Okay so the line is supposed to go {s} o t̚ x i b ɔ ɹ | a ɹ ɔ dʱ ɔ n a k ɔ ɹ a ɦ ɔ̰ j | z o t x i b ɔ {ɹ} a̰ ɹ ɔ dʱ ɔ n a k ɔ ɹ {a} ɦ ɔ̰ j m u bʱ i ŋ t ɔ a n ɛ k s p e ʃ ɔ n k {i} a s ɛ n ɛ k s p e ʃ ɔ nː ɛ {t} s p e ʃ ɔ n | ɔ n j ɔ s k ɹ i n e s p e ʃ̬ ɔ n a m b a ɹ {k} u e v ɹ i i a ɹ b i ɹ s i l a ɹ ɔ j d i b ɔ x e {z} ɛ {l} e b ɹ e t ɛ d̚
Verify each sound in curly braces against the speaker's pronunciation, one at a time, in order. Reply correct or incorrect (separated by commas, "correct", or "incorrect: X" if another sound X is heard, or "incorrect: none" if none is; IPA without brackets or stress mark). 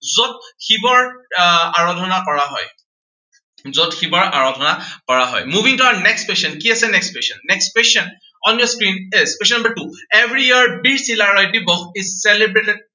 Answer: incorrect: z, correct, correct, correct, incorrect: k, incorrect: t, incorrect: s, correct